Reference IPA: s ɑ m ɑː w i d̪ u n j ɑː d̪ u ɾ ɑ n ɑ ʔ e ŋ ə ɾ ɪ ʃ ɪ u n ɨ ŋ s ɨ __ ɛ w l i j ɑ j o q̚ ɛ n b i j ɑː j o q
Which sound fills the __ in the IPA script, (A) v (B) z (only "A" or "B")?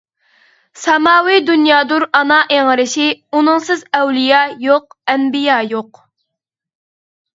B